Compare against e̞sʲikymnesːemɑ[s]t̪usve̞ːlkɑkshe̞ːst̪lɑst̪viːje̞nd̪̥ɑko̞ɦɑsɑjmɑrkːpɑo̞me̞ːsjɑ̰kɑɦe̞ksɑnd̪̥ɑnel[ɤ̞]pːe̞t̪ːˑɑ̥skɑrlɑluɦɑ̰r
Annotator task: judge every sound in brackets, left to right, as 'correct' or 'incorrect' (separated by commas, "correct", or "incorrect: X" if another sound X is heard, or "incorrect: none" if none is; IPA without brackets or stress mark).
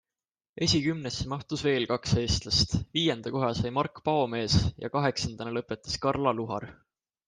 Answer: incorrect: h, correct